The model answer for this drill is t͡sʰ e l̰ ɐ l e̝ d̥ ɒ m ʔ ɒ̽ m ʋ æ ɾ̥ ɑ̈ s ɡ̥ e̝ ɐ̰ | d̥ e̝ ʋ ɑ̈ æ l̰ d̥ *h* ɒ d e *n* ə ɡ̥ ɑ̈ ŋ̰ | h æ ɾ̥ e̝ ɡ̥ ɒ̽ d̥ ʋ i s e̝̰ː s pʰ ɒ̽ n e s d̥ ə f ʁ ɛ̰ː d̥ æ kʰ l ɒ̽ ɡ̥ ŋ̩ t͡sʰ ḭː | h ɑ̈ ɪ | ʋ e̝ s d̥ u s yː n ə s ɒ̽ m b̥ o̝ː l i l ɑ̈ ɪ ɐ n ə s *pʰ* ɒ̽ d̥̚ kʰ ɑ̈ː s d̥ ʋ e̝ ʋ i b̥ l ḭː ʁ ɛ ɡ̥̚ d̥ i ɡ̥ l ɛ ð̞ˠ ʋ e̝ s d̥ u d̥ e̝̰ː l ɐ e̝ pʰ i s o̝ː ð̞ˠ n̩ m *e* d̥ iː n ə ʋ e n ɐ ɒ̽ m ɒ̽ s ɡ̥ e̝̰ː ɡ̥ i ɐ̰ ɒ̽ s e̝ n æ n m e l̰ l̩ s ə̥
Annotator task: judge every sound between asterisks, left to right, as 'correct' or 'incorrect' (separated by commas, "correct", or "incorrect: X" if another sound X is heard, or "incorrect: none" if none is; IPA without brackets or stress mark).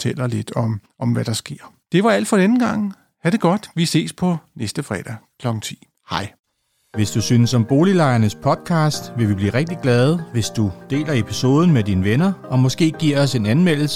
incorrect: f, correct, correct, correct